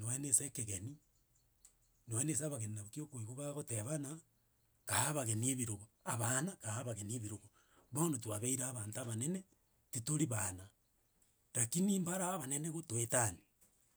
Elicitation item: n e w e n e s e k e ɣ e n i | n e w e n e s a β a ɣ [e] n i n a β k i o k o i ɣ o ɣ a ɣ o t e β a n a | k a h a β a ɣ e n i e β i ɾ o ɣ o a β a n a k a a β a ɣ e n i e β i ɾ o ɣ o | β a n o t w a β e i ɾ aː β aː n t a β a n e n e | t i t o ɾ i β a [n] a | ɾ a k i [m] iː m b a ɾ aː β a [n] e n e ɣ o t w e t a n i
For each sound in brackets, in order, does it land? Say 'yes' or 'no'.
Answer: yes, yes, no, yes

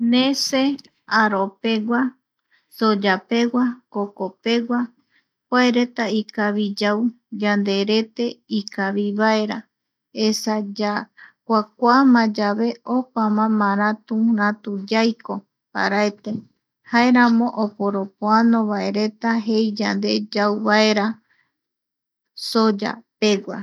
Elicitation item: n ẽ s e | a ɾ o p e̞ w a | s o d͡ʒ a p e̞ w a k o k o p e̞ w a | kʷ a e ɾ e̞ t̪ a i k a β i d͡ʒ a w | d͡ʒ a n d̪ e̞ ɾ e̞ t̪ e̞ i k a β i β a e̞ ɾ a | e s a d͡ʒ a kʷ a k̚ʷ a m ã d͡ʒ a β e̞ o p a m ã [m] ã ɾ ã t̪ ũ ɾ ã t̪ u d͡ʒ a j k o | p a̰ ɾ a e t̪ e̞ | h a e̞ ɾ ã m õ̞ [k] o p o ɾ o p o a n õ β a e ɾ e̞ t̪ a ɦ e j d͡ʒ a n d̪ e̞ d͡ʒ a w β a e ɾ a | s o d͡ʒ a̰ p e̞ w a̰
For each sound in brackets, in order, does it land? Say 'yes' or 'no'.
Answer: yes, no

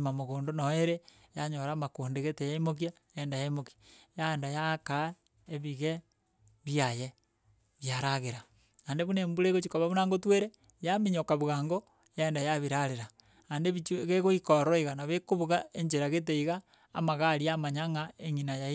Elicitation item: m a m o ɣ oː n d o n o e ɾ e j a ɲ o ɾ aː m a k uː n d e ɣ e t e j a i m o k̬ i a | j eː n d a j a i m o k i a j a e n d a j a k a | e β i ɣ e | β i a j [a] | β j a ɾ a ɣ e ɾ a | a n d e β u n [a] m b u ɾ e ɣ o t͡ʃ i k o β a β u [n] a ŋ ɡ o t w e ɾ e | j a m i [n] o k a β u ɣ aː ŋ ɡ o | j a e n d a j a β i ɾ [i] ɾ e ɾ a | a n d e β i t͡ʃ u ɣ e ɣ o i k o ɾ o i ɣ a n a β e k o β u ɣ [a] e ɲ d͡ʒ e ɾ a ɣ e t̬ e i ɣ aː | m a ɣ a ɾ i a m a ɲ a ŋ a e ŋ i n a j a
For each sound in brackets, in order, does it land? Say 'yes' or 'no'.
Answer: no, no, yes, no, no, yes

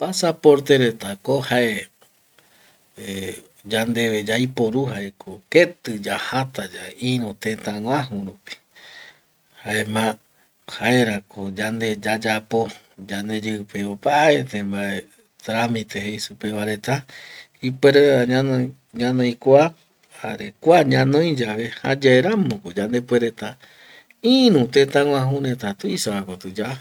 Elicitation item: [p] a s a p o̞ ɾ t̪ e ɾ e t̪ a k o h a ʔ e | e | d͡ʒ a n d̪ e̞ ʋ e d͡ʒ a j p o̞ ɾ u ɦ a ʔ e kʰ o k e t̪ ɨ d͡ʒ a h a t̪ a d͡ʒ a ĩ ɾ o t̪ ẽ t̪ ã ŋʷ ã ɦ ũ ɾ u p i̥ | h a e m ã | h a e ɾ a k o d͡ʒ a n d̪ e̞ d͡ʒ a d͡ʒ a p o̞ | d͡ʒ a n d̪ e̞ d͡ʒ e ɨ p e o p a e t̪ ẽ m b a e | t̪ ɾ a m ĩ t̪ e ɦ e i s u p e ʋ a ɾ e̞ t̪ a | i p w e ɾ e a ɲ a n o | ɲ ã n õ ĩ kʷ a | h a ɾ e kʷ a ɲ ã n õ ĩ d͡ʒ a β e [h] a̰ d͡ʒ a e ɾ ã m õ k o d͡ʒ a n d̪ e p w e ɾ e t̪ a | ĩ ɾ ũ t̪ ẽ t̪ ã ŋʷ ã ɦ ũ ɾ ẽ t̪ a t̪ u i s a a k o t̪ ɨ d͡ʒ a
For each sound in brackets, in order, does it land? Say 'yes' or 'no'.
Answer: yes, yes

